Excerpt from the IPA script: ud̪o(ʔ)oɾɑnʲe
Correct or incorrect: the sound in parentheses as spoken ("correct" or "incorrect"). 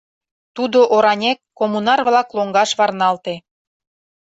correct